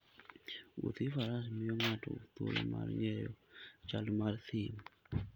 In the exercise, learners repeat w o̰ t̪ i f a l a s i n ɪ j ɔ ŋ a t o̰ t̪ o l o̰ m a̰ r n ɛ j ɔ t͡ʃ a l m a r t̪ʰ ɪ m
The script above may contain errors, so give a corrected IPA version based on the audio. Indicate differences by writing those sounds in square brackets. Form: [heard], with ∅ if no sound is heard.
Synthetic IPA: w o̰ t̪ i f a [ɾ] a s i [m] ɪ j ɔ ŋ a t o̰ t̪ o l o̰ m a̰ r [ŋ] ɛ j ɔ t͡ʃ a l m a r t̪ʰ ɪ m